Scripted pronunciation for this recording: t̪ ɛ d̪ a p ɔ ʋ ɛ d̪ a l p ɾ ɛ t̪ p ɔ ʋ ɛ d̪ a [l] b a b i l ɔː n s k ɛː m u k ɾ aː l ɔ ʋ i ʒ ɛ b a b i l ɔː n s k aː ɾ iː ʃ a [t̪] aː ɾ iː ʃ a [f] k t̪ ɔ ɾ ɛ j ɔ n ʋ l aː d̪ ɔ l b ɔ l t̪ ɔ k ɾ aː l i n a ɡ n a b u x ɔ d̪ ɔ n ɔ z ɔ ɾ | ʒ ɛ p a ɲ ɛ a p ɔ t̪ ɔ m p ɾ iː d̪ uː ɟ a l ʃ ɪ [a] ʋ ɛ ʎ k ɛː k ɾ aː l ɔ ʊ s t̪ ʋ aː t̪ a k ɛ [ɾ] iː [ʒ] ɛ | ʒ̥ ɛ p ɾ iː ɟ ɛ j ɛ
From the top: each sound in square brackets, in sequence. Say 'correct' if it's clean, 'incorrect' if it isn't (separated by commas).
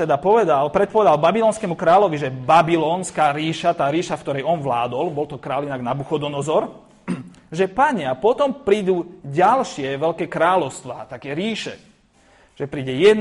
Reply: correct, correct, correct, incorrect, correct, incorrect